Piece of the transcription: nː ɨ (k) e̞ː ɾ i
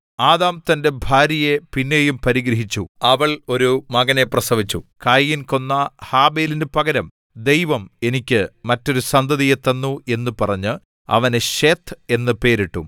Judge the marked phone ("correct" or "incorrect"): incorrect